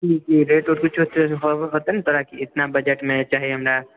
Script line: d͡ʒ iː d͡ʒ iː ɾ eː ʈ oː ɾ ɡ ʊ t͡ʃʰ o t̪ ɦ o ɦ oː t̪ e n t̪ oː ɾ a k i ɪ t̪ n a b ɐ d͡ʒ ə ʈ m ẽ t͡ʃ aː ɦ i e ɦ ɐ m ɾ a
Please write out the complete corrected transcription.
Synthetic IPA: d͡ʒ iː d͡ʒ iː ɾ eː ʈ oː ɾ k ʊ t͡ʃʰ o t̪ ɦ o ɦ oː t̪ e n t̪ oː ɾ a k i ɪ t̪ n a b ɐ d͡ʒ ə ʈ m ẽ t͡ʃ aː ɦ i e ɦ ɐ m ɾ a